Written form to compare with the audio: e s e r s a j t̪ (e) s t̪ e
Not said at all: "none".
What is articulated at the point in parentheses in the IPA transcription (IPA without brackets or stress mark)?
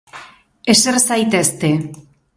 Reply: e